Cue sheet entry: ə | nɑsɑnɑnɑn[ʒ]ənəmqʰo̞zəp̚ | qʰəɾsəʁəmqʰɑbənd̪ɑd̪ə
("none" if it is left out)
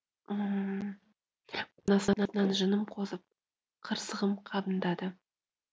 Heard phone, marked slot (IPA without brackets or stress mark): ʒ